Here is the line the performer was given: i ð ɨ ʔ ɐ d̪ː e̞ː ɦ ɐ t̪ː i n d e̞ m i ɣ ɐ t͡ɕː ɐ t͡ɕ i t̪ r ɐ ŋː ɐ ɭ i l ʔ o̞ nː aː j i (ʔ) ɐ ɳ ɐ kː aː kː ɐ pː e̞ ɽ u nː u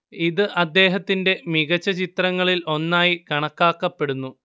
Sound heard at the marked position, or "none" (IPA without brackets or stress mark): k